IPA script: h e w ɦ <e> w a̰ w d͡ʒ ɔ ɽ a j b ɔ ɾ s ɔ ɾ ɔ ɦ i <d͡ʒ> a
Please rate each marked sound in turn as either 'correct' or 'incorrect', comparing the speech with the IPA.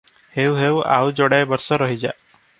correct, correct

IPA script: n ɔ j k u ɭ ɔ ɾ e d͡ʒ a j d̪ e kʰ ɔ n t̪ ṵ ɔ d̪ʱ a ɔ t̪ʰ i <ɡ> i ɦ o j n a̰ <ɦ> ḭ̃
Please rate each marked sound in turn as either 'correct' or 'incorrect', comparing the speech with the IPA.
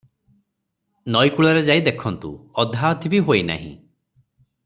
incorrect: b, correct

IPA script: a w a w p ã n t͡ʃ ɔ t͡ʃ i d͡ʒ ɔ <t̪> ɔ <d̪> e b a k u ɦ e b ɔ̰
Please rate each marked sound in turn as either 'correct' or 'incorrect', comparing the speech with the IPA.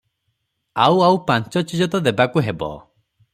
correct, correct

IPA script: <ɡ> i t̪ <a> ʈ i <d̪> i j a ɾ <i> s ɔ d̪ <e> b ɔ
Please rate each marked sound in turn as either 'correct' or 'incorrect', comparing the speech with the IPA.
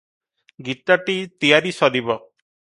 correct, correct, incorrect: t̪, correct, incorrect: i

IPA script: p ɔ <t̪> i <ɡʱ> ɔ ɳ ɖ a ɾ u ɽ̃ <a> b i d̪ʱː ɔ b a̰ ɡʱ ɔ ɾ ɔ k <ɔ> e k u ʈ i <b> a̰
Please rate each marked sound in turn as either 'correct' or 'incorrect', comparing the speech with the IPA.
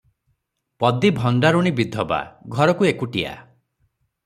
incorrect: d̪, incorrect: bʱ, incorrect: i, incorrect: u, incorrect: none

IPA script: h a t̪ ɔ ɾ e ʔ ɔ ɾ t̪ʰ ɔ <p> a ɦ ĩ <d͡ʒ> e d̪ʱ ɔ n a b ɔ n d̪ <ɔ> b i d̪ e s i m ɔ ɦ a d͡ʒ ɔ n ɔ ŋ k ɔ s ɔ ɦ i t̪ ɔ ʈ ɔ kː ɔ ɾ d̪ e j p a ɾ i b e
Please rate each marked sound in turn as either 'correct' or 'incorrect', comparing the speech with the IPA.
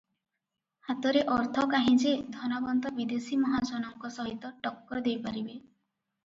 incorrect: k, correct, correct

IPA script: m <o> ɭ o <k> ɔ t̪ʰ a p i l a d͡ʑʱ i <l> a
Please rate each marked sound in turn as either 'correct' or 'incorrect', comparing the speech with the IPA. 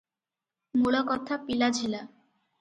incorrect: u, correct, correct

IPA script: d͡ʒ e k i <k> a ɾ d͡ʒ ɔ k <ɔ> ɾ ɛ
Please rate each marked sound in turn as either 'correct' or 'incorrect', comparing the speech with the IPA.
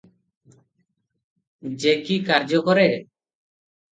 correct, correct

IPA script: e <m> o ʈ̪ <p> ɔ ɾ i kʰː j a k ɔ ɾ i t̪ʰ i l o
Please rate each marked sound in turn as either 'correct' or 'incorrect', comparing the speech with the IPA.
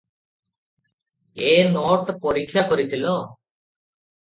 incorrect: n, correct

